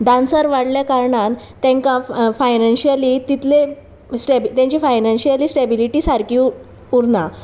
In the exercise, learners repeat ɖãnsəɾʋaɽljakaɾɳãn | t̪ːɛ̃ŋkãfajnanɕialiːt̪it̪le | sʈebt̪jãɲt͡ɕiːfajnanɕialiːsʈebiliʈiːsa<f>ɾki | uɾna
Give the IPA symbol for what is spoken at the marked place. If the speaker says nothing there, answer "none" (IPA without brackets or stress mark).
none